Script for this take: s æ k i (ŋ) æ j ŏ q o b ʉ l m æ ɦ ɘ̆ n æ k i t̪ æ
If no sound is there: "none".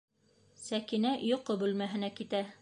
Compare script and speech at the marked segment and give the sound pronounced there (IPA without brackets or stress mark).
n